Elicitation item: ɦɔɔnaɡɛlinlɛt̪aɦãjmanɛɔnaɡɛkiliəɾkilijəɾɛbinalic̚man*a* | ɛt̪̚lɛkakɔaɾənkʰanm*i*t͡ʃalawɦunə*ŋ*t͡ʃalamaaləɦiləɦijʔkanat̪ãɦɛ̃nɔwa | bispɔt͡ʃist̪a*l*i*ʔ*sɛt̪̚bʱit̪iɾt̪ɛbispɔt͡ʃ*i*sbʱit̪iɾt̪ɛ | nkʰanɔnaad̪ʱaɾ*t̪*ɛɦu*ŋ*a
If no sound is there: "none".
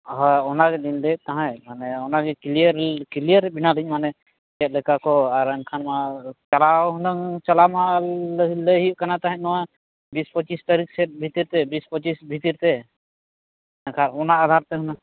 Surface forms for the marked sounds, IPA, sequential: ɛ, a, ŋ, ɾ, k, i, t̪, n

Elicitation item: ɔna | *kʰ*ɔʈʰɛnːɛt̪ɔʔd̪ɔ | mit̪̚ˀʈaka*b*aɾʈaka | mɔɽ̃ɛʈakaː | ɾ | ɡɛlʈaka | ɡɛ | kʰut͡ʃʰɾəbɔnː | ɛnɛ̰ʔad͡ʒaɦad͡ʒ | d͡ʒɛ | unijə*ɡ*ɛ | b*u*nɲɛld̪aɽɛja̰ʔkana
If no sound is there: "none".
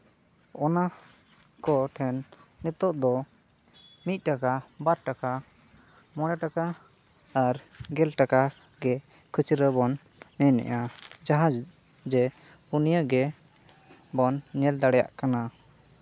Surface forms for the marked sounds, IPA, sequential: k, b, ɡ, ɔ

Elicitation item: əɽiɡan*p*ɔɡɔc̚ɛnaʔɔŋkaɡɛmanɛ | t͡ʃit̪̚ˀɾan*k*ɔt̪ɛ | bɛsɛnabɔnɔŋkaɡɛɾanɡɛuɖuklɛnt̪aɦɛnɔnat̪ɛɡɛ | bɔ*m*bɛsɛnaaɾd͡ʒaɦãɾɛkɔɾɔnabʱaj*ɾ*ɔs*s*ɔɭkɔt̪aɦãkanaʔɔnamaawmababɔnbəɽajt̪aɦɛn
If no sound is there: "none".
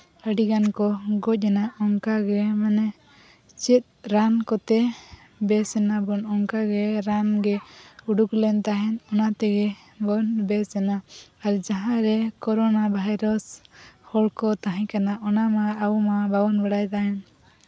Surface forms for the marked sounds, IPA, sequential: k, k, n, ɾ, h

